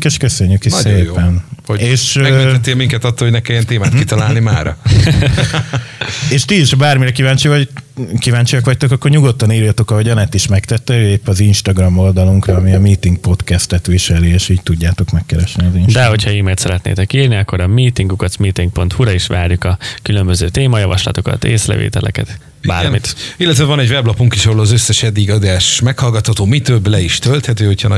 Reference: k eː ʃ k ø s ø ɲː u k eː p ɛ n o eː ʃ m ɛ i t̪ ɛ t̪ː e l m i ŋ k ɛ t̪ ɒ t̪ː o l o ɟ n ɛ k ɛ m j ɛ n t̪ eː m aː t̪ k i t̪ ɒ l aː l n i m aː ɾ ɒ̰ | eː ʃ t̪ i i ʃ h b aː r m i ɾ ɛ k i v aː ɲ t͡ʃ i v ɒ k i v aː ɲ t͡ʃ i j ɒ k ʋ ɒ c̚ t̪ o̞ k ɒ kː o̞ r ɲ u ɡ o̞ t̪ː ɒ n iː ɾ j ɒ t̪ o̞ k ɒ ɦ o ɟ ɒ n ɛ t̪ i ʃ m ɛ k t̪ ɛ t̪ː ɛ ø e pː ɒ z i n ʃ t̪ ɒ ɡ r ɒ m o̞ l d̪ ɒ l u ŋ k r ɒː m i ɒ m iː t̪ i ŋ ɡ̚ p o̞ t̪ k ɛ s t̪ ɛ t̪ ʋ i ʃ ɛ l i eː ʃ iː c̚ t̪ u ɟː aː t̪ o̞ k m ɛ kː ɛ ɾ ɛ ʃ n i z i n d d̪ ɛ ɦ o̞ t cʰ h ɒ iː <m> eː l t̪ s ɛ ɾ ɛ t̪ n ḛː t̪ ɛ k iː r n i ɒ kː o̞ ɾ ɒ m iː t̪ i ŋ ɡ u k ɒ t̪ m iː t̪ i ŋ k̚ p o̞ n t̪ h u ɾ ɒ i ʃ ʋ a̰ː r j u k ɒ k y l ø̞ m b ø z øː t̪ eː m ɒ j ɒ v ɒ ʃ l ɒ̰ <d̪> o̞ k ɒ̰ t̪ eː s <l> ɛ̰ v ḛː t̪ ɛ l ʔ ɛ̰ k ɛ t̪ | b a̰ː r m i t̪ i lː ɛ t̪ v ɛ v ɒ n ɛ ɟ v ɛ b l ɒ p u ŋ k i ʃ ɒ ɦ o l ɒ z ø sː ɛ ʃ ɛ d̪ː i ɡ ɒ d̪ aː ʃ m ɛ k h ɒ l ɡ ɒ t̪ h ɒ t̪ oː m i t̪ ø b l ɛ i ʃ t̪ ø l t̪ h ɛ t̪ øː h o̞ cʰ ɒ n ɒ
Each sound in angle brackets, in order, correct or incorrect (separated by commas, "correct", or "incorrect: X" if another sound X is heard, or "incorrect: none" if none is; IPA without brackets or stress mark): correct, incorrect: t̪, correct